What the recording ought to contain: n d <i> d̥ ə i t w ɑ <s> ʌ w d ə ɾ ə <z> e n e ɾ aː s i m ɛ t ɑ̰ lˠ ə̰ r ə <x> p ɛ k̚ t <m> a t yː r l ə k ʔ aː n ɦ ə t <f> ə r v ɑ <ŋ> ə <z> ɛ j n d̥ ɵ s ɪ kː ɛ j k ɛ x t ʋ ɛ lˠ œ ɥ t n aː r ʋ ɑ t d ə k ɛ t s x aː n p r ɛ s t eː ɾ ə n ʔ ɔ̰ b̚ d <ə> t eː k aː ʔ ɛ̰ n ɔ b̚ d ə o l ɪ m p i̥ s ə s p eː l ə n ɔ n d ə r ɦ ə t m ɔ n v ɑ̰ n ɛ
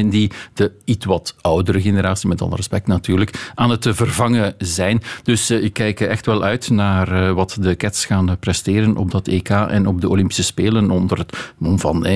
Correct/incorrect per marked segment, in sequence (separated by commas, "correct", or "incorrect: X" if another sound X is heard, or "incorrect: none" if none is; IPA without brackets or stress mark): correct, incorrect: t, incorrect: ɣ, incorrect: s, incorrect: n, incorrect: v, correct, correct, incorrect: ɑ